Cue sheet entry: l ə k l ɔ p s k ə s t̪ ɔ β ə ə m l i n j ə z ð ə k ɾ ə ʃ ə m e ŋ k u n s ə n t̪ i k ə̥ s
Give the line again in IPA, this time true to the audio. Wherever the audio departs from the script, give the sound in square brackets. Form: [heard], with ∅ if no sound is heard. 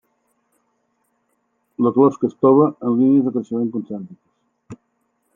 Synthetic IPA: l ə k l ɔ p s k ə s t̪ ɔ β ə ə [n] l i n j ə z ð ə k ɾ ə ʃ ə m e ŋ k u n s [a] n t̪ i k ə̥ s